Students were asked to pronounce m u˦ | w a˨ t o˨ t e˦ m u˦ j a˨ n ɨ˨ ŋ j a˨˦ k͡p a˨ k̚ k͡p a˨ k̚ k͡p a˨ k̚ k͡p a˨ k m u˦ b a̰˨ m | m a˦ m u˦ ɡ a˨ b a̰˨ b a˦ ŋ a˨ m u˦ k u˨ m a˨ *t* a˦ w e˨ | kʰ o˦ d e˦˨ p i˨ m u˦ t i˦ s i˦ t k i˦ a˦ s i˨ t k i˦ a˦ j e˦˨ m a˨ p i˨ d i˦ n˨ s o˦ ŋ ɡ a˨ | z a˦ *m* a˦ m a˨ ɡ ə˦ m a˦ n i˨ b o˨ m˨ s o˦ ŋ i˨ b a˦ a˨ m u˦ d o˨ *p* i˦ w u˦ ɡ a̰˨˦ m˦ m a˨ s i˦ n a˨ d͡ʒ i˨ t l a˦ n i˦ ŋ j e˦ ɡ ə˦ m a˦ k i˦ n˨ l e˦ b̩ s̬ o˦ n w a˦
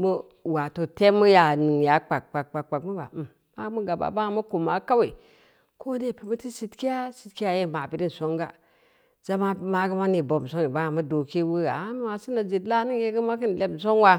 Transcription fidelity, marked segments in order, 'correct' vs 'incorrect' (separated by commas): incorrect, correct, incorrect